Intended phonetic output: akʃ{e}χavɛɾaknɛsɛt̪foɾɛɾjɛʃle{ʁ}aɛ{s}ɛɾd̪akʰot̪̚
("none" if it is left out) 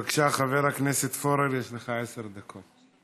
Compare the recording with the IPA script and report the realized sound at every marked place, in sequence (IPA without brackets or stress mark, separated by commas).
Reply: a, χ, s